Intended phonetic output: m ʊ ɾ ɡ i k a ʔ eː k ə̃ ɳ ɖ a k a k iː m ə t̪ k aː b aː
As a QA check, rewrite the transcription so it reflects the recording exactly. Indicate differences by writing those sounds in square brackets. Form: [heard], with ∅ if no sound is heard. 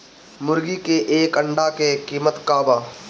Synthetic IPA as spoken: m ʊ ɾ ɡ i k [e] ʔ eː k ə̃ ɳ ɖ a k [e] k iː m ə t̪ k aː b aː